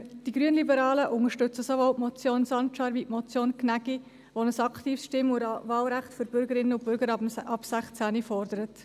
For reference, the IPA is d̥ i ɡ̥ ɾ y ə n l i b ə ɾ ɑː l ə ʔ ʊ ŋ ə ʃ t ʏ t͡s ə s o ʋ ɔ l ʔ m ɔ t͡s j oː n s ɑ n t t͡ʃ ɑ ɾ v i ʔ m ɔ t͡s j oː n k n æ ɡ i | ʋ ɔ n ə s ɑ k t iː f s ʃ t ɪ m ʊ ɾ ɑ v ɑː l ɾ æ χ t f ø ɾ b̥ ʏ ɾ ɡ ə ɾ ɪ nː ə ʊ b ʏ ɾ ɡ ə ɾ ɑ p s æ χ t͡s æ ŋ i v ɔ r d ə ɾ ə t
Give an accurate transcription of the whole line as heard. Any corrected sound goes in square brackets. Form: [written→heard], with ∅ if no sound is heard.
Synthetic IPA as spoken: d̥ i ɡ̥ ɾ y ə n l i b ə ɾ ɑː l ə ʔ ʊ ŋ ə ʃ t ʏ t͡s ə s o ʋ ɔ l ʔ m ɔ t͡s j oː n s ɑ n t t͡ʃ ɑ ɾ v i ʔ m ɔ t͡s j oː n k n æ ɡ i | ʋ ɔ n ə s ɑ k t iː f s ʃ t ɪ m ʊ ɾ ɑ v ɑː l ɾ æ χ t f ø ɾ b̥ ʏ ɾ ɡ ə ɾ ɪ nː ə ʊ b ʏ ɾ ɡ ə ɾ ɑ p s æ χ t͡s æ [ŋ→n] i [v→f] ɔ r d ə ɾ ə t